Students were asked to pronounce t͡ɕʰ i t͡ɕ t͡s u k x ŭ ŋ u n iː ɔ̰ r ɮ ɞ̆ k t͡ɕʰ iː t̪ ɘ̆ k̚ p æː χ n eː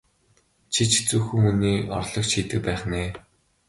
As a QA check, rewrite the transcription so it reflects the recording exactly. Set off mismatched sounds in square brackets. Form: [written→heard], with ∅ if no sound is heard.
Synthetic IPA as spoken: t͡ɕʰ i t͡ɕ t͡s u [k→∅] x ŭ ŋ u n iː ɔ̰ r ɮ ɞ̆ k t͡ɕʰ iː t̪ ɘ̆ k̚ p æː χ n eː